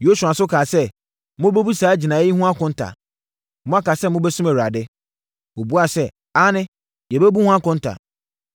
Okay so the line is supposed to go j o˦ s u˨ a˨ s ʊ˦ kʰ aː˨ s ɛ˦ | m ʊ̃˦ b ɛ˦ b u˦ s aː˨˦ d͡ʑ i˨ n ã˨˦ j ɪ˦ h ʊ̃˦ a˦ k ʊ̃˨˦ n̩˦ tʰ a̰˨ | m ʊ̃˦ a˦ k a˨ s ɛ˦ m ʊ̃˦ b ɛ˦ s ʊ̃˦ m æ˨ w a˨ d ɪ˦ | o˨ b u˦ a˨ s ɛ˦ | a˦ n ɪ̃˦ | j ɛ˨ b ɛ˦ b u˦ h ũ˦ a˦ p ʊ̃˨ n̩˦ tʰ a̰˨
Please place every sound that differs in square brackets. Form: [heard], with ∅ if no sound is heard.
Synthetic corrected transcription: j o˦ s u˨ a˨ s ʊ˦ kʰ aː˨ s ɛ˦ | m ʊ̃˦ b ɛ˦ b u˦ s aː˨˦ d͡ʑ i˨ n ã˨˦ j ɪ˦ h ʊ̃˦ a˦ k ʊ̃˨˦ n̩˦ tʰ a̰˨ | m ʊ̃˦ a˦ k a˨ s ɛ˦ m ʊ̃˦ b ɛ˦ s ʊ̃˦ m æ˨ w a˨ d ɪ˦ | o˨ b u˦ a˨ s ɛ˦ | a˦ n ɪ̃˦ | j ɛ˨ b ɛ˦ b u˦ h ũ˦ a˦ [k] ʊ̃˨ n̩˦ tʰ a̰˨